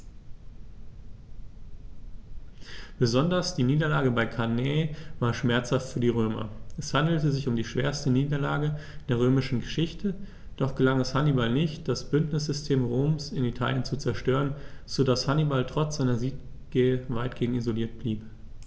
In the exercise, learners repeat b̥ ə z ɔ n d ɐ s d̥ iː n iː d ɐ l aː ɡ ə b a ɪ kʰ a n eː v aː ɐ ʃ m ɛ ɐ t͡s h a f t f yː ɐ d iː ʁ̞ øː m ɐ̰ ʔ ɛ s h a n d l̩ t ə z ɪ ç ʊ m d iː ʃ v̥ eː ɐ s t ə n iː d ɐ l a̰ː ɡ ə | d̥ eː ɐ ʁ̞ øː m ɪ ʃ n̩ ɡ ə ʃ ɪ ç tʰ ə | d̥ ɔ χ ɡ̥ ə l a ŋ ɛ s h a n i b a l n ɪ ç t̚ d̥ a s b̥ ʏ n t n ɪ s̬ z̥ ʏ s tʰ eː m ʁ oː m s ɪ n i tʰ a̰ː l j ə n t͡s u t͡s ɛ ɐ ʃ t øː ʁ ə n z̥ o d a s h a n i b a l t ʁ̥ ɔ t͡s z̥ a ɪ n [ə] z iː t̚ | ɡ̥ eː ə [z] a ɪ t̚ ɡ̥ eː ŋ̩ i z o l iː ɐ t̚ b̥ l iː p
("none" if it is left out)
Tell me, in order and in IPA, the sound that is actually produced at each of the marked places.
ɐ, v

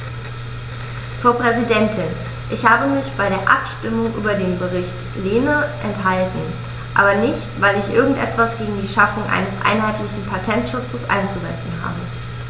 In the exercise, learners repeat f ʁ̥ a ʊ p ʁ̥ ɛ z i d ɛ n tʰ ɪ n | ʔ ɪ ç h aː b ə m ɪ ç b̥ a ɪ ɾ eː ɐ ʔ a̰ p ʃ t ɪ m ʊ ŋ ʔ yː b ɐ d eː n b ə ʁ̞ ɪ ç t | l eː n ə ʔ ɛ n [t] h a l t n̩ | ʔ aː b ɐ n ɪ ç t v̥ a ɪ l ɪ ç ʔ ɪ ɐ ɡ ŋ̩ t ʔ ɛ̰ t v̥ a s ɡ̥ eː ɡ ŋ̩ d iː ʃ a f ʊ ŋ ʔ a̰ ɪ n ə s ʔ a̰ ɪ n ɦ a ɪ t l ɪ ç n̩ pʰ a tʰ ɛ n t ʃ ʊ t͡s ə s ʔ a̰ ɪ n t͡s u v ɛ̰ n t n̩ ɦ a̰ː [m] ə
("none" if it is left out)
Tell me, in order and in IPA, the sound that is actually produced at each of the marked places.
t, b

